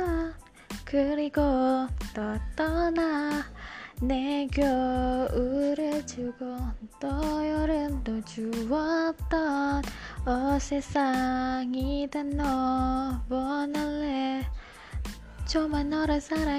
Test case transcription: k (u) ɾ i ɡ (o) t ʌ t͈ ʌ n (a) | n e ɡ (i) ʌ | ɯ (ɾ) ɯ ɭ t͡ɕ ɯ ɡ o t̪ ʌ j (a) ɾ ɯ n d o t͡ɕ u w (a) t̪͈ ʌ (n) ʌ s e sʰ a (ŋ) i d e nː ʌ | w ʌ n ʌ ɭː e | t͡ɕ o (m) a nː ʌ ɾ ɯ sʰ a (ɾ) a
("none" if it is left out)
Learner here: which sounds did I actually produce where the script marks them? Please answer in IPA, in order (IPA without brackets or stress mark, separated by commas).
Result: ɯ, o, a, j, ɾ, ʌ, ʌ, n, ŋ, m, ɾ